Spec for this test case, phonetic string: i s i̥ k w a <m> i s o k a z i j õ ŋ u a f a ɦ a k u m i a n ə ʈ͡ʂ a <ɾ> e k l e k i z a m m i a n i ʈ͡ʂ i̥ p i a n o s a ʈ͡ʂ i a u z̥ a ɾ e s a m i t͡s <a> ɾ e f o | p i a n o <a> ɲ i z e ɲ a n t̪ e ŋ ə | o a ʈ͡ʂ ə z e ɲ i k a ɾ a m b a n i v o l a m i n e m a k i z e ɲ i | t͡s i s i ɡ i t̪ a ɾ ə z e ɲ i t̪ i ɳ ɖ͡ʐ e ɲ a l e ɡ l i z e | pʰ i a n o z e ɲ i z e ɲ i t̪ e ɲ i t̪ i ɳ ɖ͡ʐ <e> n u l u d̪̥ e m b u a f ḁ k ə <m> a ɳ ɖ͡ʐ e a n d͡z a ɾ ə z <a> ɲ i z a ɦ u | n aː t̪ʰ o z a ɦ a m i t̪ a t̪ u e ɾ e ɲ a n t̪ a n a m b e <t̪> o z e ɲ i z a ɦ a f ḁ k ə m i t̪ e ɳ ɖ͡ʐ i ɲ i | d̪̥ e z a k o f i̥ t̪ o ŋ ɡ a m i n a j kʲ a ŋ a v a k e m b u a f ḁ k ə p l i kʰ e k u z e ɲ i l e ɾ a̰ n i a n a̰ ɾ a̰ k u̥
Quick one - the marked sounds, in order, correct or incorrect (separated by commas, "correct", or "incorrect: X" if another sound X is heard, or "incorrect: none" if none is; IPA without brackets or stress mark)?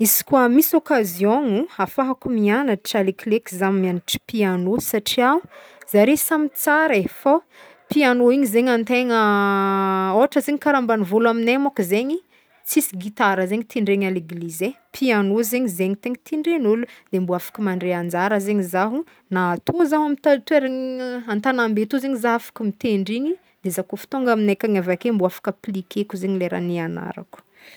correct, incorrect: l, correct, incorrect: i, correct, correct, incorrect: e, correct